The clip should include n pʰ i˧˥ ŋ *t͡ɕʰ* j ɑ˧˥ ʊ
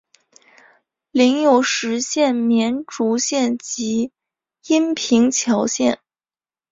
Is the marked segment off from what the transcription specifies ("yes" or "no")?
no